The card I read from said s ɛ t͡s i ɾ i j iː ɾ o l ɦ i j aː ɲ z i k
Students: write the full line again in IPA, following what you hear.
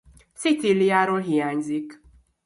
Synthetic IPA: s i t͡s i l i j aː ɾ o l ɦ i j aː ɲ z i k